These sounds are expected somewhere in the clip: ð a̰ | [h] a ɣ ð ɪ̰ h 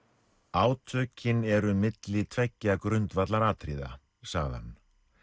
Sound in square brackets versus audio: incorrect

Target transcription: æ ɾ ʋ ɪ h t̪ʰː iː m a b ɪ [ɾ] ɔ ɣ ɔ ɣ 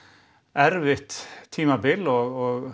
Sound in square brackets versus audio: incorrect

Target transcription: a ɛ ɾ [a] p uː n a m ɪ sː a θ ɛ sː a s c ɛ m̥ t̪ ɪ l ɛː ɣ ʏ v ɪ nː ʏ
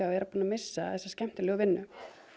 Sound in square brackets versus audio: correct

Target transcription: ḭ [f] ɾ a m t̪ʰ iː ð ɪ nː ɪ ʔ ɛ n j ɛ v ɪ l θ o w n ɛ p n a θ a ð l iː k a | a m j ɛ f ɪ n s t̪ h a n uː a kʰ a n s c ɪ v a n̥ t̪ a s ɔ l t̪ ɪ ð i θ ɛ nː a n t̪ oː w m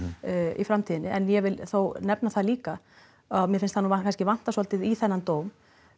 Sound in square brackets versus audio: correct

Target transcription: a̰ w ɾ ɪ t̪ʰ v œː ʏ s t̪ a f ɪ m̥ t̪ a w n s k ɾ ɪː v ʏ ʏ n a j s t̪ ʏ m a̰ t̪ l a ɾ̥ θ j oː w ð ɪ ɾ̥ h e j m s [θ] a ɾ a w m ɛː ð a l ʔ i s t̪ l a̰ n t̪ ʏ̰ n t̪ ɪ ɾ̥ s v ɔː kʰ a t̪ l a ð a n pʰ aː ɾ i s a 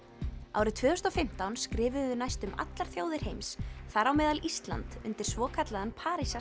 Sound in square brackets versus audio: correct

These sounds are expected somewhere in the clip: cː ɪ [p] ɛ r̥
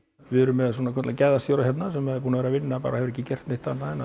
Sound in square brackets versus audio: incorrect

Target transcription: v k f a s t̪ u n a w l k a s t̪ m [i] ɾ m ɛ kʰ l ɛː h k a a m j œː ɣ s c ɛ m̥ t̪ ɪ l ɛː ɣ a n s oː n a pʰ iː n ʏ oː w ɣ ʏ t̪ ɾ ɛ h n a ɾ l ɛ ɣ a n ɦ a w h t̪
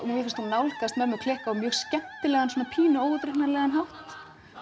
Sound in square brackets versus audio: incorrect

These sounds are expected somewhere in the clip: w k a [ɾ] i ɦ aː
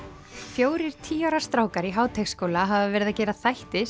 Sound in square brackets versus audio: correct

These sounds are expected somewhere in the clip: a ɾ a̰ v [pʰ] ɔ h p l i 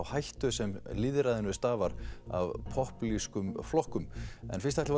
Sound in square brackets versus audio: correct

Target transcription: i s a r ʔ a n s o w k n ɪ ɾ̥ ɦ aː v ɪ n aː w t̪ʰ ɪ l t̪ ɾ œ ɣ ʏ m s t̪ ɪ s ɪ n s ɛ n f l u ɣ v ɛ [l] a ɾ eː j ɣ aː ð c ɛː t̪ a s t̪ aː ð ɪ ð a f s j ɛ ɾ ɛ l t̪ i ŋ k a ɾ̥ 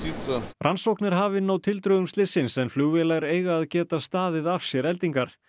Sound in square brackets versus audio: correct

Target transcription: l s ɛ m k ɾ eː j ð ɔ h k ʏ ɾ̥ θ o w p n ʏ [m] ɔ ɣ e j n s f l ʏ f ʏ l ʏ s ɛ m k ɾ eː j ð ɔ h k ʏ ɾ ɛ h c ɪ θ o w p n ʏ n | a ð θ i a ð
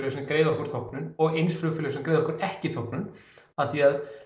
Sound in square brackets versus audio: incorrect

